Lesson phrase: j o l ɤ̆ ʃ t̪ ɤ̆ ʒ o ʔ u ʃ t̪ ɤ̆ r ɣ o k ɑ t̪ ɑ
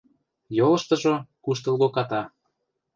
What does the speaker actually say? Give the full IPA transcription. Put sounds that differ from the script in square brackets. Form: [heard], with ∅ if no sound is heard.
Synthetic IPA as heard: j o l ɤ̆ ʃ t̪ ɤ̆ ʒ o [k] u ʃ t̪ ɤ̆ [l] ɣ o k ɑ t̪ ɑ

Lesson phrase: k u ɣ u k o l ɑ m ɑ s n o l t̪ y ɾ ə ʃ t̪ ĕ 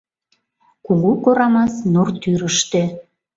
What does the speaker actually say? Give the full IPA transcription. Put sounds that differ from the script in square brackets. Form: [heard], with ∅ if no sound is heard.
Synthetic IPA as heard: k u ɣ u k o [ɾ] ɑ m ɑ s n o [r] t̪ y ɾ ə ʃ t̪ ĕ

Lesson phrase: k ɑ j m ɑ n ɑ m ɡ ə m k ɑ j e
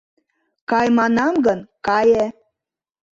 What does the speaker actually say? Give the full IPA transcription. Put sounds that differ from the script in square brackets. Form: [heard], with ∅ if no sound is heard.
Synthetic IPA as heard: k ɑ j m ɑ n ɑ m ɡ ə [n] k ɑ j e

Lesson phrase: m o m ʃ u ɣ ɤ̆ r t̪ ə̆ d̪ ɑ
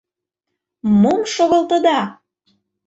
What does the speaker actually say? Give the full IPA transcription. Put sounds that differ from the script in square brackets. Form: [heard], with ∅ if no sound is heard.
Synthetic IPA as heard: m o m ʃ [o] ɣ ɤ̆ [l] t̪ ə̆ d̪ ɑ

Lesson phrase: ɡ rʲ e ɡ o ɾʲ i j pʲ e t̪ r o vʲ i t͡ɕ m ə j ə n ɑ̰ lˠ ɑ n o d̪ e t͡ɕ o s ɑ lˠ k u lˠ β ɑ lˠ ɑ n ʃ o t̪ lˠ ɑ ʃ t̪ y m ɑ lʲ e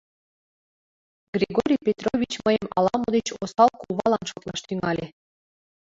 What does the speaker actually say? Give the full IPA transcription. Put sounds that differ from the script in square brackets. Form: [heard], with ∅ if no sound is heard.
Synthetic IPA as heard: ɡ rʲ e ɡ o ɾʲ i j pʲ e t̪ r o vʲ i t͡ɕ m ə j ə [m] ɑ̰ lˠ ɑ [m] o d̪ e t͡ɕ o s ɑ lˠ k u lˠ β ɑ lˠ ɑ n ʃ o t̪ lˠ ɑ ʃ t̪ y [ŋ] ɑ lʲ e

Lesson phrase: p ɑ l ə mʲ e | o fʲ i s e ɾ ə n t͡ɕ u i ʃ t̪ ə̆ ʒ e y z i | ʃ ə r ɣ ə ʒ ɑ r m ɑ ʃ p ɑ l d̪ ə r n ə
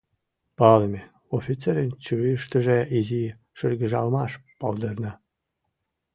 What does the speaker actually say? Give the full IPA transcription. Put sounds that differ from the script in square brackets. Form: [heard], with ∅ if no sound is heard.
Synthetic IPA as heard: p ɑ l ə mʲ e | o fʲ i [t͡s] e ɾ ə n t͡ɕ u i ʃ t̪ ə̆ ʒ e [i] z i | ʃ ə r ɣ ə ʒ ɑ [l] m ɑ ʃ p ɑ l d̪ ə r n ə

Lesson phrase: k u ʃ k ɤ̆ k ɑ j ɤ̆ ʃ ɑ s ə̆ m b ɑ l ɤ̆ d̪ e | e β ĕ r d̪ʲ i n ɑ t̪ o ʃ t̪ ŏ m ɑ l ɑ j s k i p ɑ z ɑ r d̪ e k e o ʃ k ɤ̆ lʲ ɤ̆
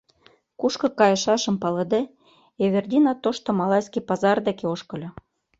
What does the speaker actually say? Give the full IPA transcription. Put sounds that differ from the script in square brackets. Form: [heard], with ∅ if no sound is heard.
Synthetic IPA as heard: k u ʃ k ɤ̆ k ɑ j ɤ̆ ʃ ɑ [ʃ] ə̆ m [p] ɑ l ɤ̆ d̪ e | e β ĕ r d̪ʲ i n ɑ t̪ o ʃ t̪ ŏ m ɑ l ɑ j s k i p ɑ z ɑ r d̪ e k e o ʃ k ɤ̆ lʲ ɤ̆

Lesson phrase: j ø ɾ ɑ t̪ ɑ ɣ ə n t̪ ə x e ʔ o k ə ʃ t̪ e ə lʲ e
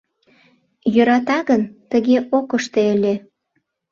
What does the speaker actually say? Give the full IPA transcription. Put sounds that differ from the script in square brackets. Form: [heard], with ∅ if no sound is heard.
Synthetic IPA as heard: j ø ɾ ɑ t̪ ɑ ɣ ə n t̪ ə [ɣ] e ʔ o k ə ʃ t̪ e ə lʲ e

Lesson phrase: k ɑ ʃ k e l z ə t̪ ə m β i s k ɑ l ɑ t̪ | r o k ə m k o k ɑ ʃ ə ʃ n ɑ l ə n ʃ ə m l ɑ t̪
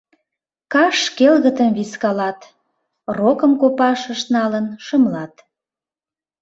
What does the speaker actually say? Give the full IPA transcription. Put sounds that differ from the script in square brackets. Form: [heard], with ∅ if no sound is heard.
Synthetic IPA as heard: k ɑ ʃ k e l [ɣ] ə t̪ ə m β i s k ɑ l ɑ t̪ | r o k ə m k o [p] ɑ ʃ ə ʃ n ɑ l ə n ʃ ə m l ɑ t̪

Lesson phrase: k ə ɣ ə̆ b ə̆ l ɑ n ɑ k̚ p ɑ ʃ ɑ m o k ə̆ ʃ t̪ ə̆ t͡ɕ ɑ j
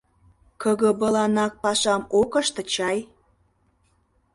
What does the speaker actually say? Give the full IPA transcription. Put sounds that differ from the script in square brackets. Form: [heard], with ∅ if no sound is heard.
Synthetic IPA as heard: k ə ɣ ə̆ b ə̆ l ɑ n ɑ k̚ p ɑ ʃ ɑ m o k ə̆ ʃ t̪ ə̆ t͡ɕ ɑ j

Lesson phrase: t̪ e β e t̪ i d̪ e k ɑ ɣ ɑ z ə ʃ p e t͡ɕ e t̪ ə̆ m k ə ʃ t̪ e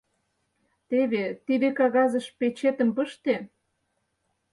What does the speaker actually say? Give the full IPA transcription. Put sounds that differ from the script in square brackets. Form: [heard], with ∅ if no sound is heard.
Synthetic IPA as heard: t̪ e β e t̪ i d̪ e k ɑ ɣ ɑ z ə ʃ p e t͡ɕ e t̪ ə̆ m [p] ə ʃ t̪ e

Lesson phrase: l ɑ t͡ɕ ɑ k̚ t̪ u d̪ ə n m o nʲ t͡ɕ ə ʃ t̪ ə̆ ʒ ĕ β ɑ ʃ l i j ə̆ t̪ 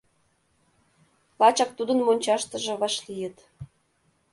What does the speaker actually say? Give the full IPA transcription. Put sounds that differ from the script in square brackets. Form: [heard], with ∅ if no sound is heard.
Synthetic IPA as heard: l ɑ t͡ɕ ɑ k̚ t̪ u d̪ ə n m o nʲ t͡ɕ [ɑ] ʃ t̪ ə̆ ʒ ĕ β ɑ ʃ l i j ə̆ t̪

